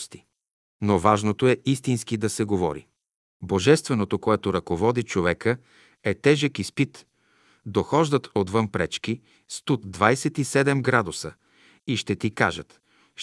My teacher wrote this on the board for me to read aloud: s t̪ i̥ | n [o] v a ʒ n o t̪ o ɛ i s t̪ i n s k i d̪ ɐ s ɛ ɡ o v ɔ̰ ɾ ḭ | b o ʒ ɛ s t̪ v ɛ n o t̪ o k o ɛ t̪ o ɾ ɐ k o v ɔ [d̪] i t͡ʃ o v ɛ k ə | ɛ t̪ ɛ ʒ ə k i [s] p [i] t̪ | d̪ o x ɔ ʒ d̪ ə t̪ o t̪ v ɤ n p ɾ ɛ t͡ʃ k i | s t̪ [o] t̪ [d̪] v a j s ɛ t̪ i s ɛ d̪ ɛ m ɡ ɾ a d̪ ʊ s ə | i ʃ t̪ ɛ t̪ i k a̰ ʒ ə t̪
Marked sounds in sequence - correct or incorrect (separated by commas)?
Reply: correct, correct, correct, correct, incorrect, correct